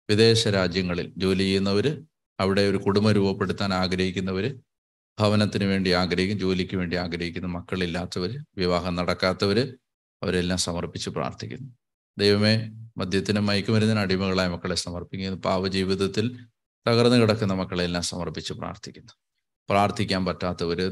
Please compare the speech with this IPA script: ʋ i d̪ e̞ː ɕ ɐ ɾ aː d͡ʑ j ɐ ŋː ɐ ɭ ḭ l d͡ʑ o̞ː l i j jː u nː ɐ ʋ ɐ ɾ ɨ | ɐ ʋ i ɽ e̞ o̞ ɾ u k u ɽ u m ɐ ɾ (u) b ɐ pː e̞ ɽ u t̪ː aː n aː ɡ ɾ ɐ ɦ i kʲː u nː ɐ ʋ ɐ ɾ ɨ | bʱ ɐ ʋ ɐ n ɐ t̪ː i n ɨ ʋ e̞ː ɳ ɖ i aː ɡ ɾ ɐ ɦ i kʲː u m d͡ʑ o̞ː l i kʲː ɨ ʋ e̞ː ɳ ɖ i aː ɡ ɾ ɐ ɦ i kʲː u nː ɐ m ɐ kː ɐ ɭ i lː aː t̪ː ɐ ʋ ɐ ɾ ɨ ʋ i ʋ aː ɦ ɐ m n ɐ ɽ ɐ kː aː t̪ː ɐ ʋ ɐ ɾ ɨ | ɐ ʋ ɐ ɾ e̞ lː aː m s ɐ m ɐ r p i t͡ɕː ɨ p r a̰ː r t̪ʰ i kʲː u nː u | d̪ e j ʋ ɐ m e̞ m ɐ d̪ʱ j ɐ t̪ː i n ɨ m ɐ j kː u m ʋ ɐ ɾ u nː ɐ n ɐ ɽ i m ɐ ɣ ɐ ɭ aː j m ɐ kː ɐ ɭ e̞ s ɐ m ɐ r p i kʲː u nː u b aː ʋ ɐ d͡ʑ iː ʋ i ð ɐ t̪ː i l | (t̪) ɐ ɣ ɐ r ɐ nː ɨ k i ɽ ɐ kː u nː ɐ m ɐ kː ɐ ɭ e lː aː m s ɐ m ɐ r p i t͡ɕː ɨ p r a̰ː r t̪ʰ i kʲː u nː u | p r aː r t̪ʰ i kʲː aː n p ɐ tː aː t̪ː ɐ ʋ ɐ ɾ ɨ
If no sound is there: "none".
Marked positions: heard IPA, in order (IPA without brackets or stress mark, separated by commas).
uː, t̪